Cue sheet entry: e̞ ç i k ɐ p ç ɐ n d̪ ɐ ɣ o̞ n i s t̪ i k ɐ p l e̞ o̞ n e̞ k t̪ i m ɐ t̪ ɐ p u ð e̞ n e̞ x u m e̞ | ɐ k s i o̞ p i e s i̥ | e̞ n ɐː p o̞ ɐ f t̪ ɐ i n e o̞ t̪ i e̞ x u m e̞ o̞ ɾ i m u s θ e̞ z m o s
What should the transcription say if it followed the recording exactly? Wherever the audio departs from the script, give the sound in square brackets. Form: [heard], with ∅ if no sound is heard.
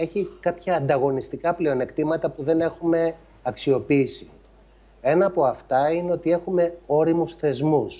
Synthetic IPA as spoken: e̞ ç i k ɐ p ç [ɐː] n d̪ ɐ ɣ o̞ n i s t̪ i k ɐ p l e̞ o̞ n e̞ k t̪ i m ɐ t̪ ɐ p u ð e̞ n e̞ x u m e̞ | ɐ k s i o̞ p i [i] s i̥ | e̞ n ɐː p o̞ ɐ f t̪ ɐ i n e o̞ t̪ i e̞ x u m e̞ o̞ ɾ i m u s θ e̞ z m [u] s